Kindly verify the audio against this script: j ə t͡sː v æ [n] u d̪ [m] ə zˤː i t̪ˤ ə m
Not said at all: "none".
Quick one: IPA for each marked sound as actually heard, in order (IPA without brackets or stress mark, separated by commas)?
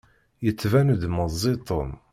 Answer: n, m